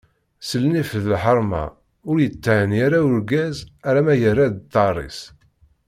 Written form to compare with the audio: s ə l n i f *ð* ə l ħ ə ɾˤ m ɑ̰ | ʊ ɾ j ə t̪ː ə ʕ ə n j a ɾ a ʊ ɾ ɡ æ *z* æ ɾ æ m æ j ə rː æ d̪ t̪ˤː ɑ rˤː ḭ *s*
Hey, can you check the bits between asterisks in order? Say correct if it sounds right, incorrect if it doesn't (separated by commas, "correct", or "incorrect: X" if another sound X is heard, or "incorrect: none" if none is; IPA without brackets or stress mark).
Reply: correct, correct, correct